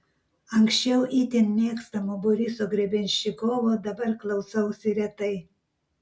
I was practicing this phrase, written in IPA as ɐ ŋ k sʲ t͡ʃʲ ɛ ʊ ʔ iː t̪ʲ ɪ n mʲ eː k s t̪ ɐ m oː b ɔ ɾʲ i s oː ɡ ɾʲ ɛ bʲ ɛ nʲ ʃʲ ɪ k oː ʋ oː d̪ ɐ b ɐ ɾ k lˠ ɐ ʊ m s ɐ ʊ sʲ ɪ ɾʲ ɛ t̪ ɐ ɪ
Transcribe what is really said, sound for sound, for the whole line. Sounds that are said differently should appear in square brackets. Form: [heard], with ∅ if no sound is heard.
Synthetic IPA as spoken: ɐ ŋ k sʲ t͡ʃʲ ɛ ʊ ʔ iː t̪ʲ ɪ n mʲ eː k s t̪ ɐ m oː b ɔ ɾʲ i s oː ɡ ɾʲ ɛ bʲ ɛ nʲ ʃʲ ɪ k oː ʋ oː d̪ ɐ b ɐ ɾ k lˠ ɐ ʊ [∅] s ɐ ʊ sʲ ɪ ɾʲ ɛ t̪ ɐ ɪ

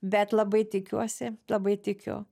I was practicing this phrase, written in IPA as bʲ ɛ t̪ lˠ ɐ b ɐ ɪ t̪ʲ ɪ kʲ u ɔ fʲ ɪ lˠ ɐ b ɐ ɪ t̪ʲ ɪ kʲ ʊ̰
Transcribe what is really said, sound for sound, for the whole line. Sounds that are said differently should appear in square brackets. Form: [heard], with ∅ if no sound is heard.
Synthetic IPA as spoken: bʲ ɛ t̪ lˠ ɐ b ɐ ɪ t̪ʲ ɪ kʲ u ɔ [sʲ] ɪ lˠ ɐ b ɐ ɪ t̪ʲ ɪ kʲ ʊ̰

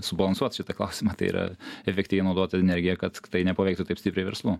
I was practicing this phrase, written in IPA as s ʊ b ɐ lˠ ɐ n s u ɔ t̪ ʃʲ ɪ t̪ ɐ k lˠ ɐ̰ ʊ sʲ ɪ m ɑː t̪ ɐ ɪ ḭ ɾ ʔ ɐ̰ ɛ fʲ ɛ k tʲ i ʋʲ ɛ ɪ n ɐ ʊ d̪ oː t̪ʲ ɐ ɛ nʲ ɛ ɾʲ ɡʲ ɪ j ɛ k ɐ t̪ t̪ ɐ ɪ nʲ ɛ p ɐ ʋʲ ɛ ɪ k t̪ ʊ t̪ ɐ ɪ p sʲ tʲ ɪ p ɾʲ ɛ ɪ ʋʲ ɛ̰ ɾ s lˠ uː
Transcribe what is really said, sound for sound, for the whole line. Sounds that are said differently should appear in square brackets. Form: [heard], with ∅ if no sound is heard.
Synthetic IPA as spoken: s ʊ b ɐ lˠ ɐ n s u ɔ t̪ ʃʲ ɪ t̪ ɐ k lˠ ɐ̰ ʊ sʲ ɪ m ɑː t̪ ɐ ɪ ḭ ɾ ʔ ɐ̰ ɛ fʲ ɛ k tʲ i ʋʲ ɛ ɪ n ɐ ʊ d̪ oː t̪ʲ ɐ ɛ nʲ ɛ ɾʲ ɡʲ ɪ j ɛ k ɐ t̪ t̪ ɐ ɪ nʲ ɛ p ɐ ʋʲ ɛ ɪ k t̪ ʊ t̪ ɐ ɪ p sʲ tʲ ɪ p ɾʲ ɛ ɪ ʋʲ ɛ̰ ɾ s lˠ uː

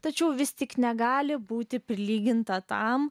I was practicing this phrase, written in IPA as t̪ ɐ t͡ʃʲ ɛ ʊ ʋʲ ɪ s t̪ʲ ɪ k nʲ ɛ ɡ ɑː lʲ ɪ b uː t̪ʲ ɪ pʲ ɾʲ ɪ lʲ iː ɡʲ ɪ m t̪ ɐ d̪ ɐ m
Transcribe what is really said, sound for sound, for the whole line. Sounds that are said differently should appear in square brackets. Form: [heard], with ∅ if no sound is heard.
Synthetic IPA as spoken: t̪ ɐ t͡ʃʲ ɛ ʊ ʋʲ ɪ s t̪ʲ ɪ k nʲ ɛ ɡ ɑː lʲ ɪ b uː t̪ʲ ɪ pʲ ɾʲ ɪ lʲ iː ɡʲ ɪ [n] t̪ ɐ [t̪] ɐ m

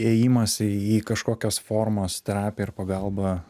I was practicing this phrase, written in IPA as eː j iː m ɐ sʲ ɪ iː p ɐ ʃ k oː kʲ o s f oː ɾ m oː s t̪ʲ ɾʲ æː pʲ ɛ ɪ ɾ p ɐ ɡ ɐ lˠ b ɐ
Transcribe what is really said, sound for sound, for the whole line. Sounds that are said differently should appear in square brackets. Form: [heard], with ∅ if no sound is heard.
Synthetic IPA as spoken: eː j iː m ɐ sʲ ɪ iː [k] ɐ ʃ k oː kʲ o s f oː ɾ m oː s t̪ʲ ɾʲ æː pʲ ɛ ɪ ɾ p ɐ ɡ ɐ lˠ b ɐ

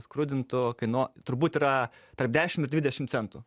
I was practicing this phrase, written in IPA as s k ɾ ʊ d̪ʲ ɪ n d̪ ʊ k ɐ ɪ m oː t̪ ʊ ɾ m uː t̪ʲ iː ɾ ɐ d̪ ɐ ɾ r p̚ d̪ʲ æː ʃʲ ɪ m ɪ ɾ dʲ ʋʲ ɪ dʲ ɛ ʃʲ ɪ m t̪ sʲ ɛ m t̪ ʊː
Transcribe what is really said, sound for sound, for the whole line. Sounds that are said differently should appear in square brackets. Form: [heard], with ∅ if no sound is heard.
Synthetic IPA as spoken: s k ɾ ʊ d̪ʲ ɪ n [t̪] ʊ k ɐ ɪ [n] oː t̪ ʊ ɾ [b] uː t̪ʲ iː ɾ ɐ [t̪] ɐ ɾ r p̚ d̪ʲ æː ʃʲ ɪ m ɪ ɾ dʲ ʋʲ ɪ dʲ ɛ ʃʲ ɪ m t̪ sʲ ɛ [n] t̪ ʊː

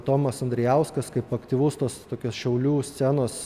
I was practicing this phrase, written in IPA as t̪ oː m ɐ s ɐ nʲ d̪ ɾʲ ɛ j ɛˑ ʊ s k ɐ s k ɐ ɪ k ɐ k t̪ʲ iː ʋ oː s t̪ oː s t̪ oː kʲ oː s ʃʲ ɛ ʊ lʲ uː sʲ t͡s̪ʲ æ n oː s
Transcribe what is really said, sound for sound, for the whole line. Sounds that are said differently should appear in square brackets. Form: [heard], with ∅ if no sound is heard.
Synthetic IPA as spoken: t̪ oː m ɐ s ɐ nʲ d̪ ɾʲ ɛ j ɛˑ ʊ s k ɐ s k ɐ ɪ [p] ɐ k t̪ʲ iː ʋ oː s t̪ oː s t̪ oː kʲ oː s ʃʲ ɛ ʊ lʲ uː sʲ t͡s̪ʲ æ n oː s

